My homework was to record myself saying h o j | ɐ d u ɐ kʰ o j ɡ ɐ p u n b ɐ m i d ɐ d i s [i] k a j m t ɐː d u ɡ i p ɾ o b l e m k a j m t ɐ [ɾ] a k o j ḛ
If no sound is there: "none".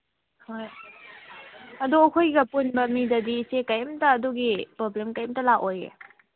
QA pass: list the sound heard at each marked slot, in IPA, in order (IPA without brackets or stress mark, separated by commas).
e, l